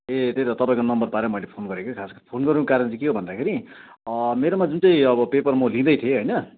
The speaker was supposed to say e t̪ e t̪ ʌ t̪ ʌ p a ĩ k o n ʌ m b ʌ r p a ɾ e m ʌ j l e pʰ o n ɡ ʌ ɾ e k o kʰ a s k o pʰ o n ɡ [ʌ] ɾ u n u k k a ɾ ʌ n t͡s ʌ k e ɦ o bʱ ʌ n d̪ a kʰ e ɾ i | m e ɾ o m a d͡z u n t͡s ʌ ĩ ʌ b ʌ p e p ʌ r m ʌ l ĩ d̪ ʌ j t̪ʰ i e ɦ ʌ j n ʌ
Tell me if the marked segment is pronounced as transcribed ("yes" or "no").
yes